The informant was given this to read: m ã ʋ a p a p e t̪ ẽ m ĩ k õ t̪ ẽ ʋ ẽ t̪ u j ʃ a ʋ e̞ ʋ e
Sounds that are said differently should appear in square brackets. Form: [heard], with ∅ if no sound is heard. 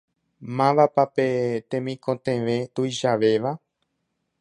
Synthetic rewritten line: m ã ʋ a p a p e t̪ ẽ m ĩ k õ t̪ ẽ ʋ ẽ t̪ u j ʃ a ʋ e̞ ʋ [a]